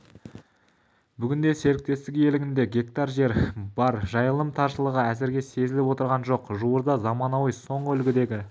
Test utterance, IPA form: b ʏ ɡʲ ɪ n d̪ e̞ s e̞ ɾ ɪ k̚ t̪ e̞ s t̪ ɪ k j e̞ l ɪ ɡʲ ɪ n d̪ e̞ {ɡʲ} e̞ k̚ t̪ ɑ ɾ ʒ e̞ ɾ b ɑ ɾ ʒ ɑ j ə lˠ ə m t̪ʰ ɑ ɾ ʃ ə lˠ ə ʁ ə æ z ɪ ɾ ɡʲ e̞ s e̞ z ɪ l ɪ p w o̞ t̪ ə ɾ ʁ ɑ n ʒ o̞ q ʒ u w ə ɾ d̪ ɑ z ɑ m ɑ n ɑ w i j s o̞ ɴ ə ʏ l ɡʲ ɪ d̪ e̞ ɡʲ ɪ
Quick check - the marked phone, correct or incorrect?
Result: correct